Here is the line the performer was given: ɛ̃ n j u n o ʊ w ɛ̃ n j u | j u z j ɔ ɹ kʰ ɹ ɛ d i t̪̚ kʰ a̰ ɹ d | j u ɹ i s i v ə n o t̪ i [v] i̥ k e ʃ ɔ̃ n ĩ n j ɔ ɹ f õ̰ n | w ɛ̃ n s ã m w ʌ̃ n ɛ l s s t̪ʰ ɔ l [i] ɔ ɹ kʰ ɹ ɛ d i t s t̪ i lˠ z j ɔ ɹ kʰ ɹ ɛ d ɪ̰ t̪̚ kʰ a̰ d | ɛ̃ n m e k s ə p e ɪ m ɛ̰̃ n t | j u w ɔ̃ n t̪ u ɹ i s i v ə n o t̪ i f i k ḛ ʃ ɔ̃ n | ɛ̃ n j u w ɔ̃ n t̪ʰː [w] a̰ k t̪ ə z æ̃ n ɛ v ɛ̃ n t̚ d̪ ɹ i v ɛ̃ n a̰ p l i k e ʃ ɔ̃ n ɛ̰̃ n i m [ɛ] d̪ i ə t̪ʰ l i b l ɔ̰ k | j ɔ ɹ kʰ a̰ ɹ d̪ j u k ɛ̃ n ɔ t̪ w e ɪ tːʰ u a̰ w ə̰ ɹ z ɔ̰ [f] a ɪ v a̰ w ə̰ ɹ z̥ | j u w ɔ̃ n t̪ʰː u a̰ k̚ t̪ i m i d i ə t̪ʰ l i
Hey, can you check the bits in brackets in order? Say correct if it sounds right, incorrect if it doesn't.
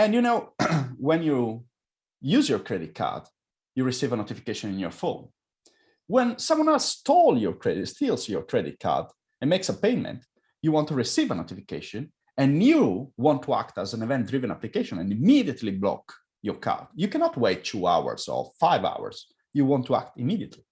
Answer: incorrect: f, incorrect: j, incorrect: u, incorrect: i, correct

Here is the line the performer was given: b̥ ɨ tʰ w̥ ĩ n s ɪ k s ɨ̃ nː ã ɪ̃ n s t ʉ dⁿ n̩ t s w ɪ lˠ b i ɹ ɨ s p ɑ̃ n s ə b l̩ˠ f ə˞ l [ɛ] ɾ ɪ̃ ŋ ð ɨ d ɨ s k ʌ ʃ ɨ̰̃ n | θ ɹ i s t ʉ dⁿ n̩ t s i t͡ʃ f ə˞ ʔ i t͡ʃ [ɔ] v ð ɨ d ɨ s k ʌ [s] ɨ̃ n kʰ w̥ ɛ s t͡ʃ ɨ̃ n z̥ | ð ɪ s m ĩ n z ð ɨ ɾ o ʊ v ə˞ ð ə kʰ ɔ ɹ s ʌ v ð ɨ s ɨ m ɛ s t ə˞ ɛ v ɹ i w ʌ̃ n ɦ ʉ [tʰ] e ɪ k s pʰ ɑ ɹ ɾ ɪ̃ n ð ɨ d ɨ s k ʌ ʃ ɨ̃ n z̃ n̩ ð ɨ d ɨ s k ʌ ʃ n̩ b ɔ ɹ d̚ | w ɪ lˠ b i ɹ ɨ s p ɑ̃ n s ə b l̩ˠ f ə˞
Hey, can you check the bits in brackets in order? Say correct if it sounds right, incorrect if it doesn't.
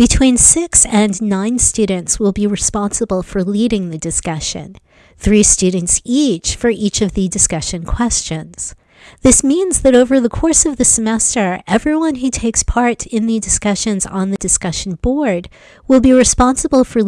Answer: incorrect: i, incorrect: ʌ, incorrect: ʃ, correct

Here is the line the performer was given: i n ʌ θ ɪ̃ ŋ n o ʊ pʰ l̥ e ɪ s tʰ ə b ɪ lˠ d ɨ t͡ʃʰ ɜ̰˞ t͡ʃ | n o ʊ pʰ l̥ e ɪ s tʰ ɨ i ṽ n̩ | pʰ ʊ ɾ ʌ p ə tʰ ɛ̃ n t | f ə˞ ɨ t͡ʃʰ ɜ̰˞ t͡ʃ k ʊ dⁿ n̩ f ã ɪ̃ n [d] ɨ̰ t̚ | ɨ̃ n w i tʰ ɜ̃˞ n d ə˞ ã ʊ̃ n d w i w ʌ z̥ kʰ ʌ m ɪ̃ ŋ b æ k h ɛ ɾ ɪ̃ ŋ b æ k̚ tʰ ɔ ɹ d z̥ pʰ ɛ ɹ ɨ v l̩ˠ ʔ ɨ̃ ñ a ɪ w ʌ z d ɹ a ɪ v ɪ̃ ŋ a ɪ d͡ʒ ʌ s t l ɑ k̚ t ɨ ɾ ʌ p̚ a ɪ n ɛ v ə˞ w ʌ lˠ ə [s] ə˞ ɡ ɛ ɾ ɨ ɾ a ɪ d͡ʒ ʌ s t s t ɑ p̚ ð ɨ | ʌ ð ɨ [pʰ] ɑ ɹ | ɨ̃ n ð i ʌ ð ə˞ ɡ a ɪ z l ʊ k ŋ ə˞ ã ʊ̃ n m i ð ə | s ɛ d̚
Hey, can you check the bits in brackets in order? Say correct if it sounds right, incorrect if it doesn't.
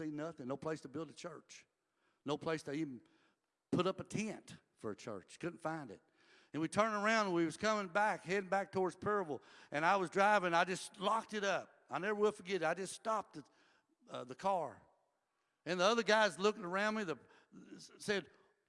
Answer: correct, incorrect: f, incorrect: kʰ

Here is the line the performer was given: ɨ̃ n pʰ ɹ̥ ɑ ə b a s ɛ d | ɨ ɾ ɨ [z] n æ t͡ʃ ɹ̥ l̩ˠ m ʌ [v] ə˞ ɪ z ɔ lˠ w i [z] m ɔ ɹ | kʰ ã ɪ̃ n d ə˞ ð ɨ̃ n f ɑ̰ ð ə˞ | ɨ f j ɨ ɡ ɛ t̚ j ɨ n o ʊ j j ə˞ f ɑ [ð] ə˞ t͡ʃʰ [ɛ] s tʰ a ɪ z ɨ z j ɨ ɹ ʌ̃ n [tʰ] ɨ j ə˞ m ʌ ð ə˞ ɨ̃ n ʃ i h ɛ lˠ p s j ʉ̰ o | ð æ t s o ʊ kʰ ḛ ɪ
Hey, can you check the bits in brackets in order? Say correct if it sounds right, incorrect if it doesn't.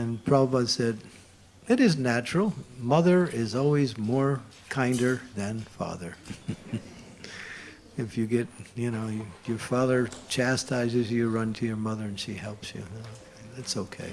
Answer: correct, incorrect: ð, correct, correct, incorrect: æ, correct

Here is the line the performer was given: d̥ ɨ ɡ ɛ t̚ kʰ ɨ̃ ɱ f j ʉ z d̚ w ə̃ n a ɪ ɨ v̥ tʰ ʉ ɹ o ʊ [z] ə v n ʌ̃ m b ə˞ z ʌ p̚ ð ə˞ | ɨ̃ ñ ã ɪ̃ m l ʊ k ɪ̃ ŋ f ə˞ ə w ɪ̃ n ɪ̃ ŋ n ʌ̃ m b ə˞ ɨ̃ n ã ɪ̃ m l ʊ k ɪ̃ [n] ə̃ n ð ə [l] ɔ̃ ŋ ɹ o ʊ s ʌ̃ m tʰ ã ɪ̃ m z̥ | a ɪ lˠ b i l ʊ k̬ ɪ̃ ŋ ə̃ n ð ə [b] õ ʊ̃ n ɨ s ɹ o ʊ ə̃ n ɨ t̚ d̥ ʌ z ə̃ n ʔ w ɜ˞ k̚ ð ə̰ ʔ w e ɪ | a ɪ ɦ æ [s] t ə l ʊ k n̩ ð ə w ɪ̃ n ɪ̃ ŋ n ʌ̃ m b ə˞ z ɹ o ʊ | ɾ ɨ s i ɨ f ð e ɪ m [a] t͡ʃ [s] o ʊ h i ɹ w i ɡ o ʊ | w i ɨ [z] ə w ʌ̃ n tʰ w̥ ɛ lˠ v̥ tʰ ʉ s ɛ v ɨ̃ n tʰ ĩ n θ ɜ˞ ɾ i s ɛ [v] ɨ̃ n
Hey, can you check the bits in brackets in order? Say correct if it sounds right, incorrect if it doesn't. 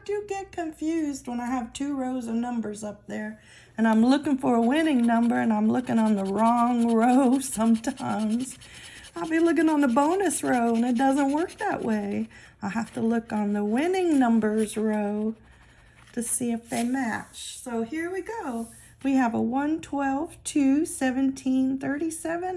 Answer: correct, incorrect: ŋ, incorrect: ɹ, correct, incorrect: f, incorrect: æ, correct, incorrect: v, correct

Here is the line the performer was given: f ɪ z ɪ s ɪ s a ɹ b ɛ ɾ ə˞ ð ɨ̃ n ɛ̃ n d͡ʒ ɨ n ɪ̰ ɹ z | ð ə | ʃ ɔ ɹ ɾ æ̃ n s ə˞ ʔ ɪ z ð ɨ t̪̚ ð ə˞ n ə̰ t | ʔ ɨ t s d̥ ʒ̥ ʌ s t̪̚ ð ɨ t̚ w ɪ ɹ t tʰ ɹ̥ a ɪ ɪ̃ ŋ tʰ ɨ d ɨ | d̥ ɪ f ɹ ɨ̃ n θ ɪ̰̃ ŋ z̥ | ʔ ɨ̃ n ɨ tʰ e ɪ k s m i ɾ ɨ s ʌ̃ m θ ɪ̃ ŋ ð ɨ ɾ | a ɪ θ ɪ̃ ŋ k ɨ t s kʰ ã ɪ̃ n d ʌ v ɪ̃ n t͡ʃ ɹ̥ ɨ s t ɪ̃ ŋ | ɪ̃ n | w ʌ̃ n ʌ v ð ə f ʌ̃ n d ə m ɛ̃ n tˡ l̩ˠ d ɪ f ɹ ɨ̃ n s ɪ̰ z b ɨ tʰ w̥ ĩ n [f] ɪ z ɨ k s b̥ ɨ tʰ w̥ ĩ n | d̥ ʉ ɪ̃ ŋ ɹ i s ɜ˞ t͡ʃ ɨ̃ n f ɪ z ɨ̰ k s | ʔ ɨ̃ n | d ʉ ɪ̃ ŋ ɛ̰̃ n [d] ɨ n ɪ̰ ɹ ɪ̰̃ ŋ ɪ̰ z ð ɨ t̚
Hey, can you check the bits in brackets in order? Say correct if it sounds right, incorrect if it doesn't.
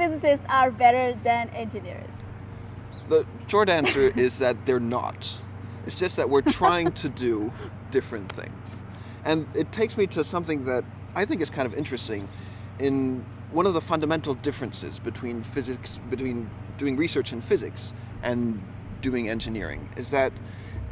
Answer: correct, incorrect: d͡ʒ

